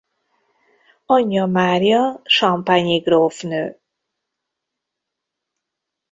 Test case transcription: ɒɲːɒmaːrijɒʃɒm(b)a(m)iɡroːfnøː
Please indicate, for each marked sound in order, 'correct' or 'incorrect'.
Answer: incorrect: p, incorrect: ɲ

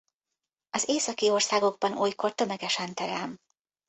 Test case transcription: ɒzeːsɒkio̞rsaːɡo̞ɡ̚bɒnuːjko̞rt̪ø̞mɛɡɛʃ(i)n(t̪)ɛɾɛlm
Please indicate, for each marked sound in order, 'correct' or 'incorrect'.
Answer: incorrect: ɛ, correct

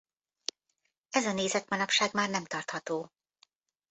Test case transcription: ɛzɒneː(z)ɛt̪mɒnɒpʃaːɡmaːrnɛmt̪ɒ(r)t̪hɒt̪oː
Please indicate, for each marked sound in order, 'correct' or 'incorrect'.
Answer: correct, correct

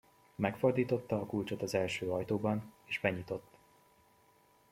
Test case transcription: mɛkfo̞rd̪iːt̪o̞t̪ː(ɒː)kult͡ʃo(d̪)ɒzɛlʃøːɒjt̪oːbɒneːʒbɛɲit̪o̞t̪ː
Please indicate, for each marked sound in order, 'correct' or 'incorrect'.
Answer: correct, incorrect: t̪

